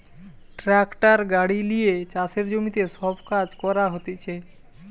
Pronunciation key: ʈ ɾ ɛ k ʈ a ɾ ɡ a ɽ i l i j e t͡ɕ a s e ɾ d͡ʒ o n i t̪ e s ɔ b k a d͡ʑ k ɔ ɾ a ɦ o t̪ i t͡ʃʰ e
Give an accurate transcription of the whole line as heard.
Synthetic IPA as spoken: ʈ ɾ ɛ k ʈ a ɾ ɡ a ɽ i l i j e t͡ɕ a s e ɾ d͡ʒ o m i t̪ e s ɔ b k a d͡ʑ k ɔ ɾ a ɦ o t̪ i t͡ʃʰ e

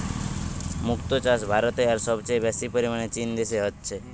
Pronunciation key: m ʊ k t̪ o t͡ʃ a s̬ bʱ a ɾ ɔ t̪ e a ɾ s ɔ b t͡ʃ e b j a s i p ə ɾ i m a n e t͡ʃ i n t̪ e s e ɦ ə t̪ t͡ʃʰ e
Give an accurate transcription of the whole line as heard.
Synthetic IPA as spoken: m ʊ k t̪ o t͡ʃ a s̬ bʱ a ɾ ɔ t̪ e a ɾ s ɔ b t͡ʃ e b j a s i p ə ɾ i m a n e t͡ʃ i n d̪ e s e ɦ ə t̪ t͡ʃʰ e

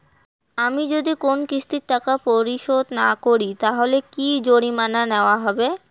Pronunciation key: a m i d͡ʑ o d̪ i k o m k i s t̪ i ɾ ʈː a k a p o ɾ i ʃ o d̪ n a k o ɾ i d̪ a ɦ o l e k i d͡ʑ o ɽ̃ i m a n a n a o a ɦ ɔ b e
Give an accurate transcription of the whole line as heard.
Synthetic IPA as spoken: a m i d͡ʑ o d̪ i k o n k i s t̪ i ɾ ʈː a k a p o ɾ i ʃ o d̪ n a k o ɾ i t̪ a ɦ o l e k i d͡ʑ o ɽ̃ i m a n a n e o a ɦ ɔ b e

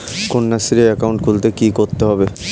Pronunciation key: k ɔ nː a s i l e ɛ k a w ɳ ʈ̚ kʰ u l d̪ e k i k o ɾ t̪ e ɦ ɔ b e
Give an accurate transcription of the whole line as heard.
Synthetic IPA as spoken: k o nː a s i ɾ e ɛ k a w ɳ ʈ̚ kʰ u l t̪ e k i k o ɾ t̪ e ɦ ɔ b e

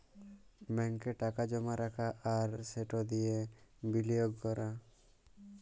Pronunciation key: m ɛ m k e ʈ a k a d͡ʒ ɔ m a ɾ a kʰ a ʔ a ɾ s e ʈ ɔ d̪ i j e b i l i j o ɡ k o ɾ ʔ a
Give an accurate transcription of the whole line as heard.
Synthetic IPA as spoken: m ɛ ŋ k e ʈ a k a d͡ʒ ɔ m a ɾ a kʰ a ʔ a ɾ s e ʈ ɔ d̪ i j e b i l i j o ɡ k ɔ ɾ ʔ a

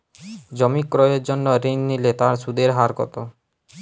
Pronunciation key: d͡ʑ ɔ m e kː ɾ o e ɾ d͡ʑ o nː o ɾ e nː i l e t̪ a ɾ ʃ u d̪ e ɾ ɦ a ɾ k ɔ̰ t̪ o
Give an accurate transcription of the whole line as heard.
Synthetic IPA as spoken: d͡ʑ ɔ m i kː ɾ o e ɾ d͡ʑ o nː o ɾ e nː i l e t̪ a ɾ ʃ u d̪ e ɾ ɦ a ɾ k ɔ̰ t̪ o

